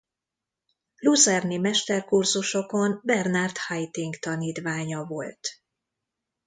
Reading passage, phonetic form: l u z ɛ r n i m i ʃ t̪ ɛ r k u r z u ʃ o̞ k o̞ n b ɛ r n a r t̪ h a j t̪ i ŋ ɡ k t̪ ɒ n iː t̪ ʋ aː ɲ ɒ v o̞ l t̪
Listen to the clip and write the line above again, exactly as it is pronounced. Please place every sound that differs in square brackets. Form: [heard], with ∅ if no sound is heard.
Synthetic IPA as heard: l u z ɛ r n i m [ɛ] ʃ t̪ ɛ r k u r z u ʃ o̞ k o̞ n b ɛ r n a r t̪ h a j t̪ i ŋ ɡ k t̪ ɒ n iː t̪ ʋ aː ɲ ɒ v o̞ l t̪